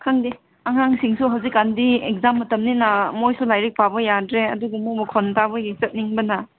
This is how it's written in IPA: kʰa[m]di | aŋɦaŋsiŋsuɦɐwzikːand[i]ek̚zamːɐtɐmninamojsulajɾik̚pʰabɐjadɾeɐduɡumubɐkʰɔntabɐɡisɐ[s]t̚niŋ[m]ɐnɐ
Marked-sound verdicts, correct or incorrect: incorrect, correct, incorrect, incorrect

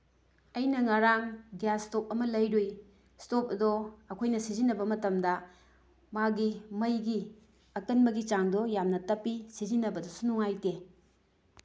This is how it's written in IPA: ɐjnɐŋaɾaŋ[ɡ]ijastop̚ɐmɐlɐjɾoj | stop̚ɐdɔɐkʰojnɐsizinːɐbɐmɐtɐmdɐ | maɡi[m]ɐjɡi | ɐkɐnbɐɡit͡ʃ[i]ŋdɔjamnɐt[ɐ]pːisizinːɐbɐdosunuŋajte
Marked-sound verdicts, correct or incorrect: correct, correct, incorrect, correct

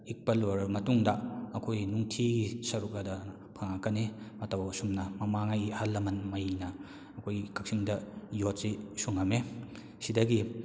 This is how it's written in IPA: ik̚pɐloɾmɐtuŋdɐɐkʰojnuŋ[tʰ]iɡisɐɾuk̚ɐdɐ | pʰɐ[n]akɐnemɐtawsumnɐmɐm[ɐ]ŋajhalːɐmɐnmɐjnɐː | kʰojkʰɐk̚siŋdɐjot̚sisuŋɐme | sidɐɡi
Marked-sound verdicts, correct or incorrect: correct, incorrect, incorrect

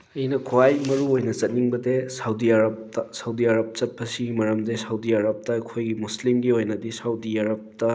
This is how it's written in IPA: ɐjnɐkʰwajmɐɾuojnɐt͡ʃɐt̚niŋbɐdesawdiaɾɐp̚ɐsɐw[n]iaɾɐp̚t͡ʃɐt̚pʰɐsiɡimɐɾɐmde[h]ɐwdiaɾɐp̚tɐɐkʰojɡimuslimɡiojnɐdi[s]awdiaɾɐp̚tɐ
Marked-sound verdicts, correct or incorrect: incorrect, incorrect, correct

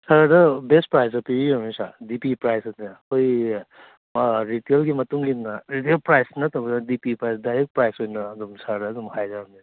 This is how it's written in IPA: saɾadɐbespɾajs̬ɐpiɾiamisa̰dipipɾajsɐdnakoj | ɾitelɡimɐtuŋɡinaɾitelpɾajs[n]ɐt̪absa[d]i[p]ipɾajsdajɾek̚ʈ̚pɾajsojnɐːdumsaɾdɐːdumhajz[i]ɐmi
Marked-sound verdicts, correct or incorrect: correct, correct, correct, incorrect

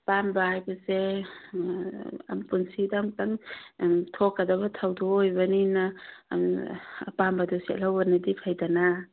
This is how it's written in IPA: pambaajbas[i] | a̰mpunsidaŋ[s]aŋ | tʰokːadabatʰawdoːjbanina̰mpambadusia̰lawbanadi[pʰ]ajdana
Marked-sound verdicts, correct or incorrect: incorrect, incorrect, correct

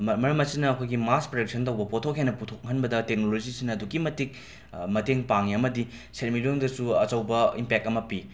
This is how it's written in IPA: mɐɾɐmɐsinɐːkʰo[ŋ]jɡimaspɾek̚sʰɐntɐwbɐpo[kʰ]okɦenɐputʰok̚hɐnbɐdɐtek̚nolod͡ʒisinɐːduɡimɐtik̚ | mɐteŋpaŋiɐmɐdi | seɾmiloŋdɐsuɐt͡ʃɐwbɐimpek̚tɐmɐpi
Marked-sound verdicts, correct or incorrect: incorrect, incorrect

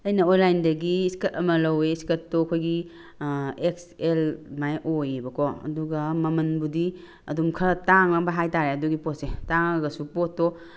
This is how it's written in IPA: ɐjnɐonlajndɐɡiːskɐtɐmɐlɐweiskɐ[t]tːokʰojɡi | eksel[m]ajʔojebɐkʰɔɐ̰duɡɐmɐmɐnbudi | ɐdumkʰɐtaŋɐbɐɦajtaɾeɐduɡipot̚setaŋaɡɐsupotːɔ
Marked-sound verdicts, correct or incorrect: correct, correct

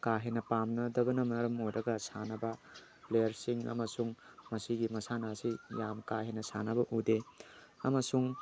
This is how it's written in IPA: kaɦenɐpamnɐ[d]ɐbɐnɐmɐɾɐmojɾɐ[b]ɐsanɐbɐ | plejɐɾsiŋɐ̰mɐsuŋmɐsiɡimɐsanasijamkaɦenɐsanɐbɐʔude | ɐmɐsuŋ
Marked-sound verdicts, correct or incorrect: correct, incorrect

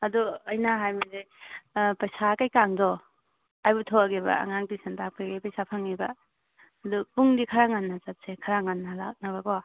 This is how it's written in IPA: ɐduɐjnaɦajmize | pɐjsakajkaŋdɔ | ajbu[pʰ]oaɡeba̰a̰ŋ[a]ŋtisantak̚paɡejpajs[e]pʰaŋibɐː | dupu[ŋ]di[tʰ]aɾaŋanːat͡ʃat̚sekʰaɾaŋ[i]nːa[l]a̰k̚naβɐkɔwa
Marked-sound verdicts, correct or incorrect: incorrect, correct, incorrect, correct, incorrect, incorrect, correct

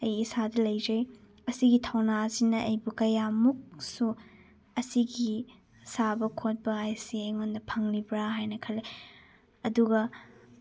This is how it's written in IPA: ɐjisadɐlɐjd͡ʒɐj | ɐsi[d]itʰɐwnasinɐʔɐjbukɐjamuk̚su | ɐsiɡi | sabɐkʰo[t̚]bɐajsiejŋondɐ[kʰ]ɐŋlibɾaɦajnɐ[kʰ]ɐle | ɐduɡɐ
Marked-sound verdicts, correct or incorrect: incorrect, correct, incorrect, correct

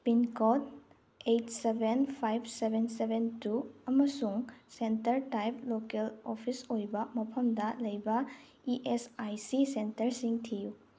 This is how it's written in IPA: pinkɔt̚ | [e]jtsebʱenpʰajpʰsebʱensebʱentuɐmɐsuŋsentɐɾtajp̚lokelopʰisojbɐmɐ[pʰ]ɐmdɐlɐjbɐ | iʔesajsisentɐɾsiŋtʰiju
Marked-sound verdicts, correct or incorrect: correct, correct

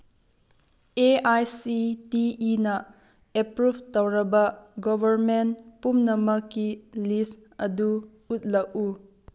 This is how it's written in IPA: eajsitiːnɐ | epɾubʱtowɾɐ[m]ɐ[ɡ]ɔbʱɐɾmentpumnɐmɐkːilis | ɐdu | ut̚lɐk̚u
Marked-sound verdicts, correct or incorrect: incorrect, correct

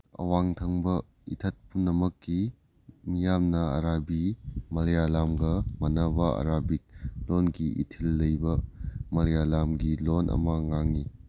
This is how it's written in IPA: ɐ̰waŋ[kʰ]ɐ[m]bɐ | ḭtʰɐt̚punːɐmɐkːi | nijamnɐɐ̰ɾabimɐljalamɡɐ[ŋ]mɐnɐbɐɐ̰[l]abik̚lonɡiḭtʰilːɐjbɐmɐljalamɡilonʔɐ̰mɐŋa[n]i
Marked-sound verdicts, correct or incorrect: incorrect, incorrect, incorrect, incorrect, incorrect

